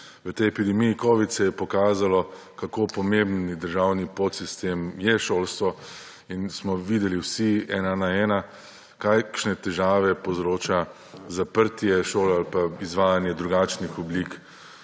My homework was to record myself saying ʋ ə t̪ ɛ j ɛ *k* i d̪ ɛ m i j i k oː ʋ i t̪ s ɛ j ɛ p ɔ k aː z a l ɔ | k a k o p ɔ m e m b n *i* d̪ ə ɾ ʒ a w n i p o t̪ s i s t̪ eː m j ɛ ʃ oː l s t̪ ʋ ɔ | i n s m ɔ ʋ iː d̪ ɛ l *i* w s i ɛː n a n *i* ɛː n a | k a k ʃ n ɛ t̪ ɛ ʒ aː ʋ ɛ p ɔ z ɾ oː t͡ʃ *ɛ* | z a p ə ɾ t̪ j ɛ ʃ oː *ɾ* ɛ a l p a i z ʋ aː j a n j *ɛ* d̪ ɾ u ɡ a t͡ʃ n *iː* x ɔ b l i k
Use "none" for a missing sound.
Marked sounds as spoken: p, i, i, a, a, l, ɛ, i

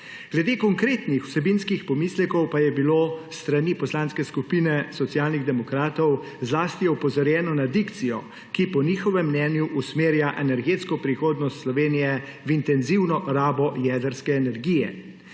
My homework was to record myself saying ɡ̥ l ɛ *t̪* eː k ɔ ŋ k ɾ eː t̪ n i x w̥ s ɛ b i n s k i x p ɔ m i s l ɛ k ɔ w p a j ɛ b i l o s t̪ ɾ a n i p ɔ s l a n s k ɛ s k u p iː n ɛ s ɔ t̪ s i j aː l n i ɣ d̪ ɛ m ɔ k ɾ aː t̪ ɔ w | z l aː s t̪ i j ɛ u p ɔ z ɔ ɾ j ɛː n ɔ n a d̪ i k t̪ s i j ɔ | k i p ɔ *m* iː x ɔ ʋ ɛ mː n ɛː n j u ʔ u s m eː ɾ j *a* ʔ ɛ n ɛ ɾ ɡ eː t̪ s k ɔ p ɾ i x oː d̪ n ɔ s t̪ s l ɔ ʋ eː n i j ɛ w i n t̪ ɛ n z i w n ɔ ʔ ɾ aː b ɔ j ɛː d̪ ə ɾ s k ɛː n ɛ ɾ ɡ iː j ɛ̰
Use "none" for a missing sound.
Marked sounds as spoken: d̪, n, a

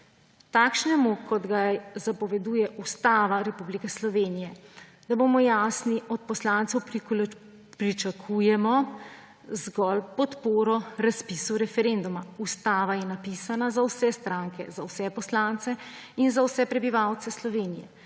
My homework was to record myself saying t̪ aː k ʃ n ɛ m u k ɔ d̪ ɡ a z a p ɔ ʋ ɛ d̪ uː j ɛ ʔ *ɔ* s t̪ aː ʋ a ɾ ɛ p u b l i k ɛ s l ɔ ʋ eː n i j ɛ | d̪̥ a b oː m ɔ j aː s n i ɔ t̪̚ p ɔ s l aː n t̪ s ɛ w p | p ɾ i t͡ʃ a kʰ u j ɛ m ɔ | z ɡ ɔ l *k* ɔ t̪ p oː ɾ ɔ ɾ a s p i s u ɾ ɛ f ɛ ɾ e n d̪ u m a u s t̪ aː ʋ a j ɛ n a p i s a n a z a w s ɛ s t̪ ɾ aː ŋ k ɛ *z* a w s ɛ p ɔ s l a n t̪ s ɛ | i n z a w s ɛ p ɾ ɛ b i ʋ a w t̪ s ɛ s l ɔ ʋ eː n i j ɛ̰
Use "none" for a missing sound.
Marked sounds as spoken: u, p, z

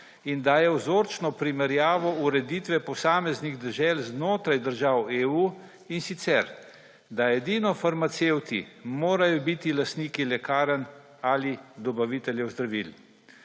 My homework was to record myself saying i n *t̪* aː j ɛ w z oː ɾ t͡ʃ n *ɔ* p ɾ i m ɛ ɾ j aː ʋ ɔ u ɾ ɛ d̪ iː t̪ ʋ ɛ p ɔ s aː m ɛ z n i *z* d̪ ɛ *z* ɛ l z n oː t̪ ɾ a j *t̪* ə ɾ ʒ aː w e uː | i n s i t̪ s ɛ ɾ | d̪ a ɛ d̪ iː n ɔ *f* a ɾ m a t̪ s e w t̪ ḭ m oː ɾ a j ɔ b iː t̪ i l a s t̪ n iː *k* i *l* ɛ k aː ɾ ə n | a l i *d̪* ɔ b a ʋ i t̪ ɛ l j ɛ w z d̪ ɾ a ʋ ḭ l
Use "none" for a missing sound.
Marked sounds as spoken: d̪, ɔ, ɣ, ʒ, d̪, f, k, l, d̪

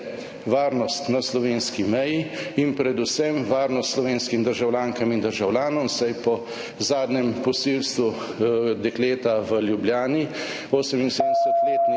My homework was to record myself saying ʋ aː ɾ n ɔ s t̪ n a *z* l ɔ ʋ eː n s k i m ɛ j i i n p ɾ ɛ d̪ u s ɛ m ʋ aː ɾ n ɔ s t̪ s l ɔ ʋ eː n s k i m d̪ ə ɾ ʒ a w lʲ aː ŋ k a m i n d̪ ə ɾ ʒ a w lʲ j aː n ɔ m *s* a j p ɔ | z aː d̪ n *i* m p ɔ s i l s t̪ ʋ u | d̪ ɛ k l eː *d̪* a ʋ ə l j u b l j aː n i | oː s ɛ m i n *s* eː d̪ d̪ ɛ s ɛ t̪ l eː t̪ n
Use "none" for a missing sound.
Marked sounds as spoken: s, s, ɛ, t̪, s

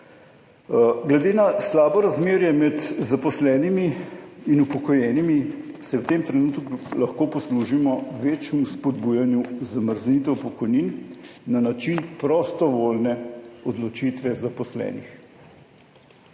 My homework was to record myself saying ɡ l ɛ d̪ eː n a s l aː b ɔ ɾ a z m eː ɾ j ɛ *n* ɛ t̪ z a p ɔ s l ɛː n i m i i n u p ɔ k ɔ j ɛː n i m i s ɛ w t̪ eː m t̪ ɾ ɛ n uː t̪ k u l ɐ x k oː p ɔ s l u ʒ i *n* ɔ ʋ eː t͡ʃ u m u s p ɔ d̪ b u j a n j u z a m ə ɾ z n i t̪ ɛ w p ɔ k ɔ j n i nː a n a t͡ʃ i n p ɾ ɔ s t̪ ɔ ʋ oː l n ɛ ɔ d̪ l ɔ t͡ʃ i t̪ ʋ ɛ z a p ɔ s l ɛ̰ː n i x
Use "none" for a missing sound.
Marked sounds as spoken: m, m

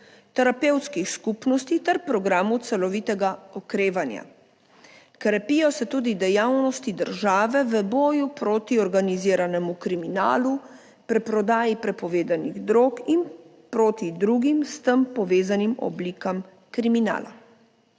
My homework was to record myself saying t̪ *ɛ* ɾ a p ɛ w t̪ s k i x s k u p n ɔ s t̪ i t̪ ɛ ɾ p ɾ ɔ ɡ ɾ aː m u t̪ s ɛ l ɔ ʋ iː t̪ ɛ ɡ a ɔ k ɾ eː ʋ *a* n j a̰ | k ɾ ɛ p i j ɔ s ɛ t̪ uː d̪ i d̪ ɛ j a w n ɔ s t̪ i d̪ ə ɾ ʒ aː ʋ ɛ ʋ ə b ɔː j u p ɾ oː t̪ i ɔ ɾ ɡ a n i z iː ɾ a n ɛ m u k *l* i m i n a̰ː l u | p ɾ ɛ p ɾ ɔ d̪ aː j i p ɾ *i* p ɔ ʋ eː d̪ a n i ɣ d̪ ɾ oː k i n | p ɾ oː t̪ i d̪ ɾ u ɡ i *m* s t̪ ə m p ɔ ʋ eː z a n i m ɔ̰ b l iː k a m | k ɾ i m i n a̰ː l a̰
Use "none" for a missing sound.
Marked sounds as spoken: ɛ, a, ɾ, ɛ, m

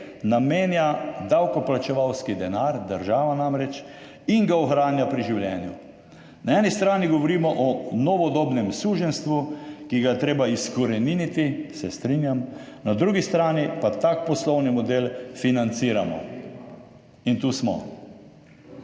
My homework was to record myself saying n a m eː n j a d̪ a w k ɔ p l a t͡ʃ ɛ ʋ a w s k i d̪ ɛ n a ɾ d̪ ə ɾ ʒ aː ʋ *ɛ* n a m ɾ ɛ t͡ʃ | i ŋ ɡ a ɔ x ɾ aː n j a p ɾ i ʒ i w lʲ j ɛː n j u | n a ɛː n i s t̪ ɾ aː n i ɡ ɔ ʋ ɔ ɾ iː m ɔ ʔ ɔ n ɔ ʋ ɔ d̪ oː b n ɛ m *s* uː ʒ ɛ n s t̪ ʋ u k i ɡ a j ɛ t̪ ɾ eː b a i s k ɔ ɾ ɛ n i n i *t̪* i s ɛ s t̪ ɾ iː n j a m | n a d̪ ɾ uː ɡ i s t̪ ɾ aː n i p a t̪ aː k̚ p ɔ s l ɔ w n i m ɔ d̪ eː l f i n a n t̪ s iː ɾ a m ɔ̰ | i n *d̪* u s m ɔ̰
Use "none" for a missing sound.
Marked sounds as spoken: a, s, t̪, t̪

